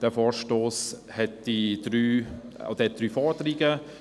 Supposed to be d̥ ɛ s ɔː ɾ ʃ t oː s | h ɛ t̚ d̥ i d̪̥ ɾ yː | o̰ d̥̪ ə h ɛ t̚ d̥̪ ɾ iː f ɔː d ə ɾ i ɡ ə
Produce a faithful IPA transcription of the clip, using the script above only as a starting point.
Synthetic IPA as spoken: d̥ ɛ f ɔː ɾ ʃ t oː s | h ɛ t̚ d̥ i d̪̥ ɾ yː | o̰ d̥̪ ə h ɛ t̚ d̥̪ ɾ yː f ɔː d ə ɾ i ɡ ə